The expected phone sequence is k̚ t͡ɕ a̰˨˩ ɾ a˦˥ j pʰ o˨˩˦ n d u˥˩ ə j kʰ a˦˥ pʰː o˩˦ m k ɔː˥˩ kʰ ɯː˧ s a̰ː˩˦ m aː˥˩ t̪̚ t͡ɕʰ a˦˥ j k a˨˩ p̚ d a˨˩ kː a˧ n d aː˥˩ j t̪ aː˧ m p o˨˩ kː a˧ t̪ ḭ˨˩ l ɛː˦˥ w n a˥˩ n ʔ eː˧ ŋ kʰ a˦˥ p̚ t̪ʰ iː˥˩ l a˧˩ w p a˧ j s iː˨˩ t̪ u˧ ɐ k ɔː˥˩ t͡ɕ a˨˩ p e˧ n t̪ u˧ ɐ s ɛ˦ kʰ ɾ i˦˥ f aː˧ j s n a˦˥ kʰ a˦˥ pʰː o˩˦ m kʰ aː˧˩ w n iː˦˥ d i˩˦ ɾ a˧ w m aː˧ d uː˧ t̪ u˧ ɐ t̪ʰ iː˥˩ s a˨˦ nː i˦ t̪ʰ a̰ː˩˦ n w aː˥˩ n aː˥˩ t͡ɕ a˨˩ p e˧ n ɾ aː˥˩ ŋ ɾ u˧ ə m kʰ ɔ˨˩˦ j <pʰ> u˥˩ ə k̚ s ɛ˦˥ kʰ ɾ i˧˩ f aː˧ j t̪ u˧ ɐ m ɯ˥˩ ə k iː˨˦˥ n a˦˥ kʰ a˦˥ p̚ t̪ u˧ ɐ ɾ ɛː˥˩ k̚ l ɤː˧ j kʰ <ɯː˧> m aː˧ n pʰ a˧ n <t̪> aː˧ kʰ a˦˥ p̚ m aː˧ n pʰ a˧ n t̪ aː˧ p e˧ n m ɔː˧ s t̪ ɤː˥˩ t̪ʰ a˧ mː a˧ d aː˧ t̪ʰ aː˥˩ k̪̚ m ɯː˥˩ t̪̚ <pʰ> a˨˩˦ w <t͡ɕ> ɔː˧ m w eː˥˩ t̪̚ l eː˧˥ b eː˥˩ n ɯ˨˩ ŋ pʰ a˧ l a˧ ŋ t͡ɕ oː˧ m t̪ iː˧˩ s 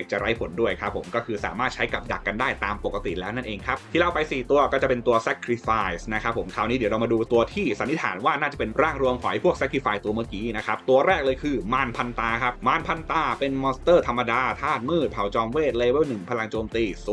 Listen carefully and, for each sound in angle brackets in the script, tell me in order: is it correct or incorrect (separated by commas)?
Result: correct, correct, correct, correct, correct